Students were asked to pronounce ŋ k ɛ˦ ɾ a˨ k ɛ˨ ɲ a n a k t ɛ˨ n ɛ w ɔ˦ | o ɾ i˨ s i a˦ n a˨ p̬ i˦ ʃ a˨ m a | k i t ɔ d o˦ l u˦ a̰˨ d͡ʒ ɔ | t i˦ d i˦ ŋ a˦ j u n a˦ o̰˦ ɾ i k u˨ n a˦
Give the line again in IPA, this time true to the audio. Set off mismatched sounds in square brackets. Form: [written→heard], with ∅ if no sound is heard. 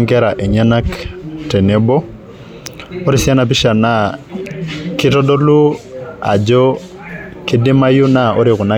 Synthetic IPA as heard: ŋ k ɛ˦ ɾ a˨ [k→ʔ] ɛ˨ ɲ a n a k t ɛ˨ n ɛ [w→b] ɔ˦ | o ɾ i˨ s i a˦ n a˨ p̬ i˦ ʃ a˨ [m→n] a | k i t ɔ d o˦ l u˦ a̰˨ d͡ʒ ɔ | [t→k] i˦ d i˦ [ŋ→m] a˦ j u n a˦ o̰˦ ɾ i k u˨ n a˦

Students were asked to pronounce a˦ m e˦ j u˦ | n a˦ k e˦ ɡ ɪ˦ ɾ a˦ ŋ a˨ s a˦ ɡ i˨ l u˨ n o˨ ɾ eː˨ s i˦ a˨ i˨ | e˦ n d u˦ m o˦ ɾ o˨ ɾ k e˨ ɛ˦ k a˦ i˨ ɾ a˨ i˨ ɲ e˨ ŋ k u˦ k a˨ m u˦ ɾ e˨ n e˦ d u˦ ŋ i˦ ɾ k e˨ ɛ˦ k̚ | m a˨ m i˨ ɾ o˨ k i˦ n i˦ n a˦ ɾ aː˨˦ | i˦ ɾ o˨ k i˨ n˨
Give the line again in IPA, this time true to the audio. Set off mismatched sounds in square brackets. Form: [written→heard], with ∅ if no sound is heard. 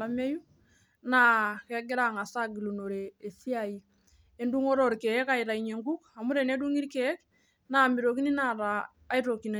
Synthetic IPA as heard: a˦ m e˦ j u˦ | n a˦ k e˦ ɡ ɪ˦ ɾ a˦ ŋ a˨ s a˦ ɡ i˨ l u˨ n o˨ ɾ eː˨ s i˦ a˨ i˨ | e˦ n d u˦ [m→ŋ] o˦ ɾ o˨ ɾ k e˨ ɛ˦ k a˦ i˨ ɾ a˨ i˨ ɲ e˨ ŋ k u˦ k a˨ m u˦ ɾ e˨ n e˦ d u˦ ŋ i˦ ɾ k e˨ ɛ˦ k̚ | [m→n] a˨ m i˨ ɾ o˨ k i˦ n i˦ n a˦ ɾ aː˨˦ | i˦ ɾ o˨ k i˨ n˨

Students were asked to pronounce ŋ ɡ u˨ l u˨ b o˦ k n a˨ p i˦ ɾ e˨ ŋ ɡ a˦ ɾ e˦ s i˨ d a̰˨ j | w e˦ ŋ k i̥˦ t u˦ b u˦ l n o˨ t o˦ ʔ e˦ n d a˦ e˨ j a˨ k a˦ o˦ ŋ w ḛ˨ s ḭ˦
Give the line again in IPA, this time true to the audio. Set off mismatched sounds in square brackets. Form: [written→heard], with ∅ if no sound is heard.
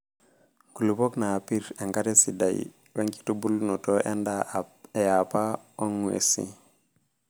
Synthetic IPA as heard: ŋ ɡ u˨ l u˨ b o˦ k n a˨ p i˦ ɾ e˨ ŋ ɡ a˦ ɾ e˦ s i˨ d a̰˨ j | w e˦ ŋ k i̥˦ t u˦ b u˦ l n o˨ t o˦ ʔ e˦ n d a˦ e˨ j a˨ [k→p] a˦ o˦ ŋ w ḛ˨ s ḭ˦

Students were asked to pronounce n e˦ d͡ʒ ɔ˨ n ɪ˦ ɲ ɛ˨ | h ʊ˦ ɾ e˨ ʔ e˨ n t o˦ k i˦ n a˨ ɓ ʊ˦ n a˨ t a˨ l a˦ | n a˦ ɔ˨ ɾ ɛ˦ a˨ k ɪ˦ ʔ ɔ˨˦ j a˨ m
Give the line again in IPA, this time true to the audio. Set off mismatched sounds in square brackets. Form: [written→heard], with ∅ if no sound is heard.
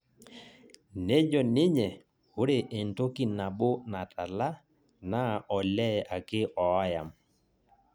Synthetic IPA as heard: n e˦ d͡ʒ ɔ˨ n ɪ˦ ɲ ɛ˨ | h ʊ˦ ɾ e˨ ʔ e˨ n t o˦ k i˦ n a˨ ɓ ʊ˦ n a˨ t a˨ l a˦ | n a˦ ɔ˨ [ɾ→l] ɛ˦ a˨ k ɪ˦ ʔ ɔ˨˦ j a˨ m

